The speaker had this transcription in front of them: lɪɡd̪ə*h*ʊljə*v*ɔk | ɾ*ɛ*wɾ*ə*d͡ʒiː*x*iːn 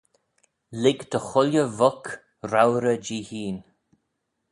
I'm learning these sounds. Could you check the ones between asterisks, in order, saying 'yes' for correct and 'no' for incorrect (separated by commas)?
no, yes, no, yes, no